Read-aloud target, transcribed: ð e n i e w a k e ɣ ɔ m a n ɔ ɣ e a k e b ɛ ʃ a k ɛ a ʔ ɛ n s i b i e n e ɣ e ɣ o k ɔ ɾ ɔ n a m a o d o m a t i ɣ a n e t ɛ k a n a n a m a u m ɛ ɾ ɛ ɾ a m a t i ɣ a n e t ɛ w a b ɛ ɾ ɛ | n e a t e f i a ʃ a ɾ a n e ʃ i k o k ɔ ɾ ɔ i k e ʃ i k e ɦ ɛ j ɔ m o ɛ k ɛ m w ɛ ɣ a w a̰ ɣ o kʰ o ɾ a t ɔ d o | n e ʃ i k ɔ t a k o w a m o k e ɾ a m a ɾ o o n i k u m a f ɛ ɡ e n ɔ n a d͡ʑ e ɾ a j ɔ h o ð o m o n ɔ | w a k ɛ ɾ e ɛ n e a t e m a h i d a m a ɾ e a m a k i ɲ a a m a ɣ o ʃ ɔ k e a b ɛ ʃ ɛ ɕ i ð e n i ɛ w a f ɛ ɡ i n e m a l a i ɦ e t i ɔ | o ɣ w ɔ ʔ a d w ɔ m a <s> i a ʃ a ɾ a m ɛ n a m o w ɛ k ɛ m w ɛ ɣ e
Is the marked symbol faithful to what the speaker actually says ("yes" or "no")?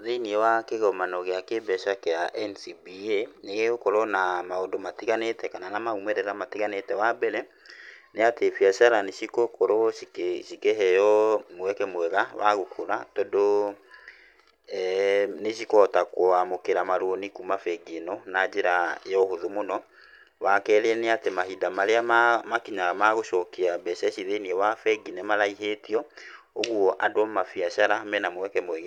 no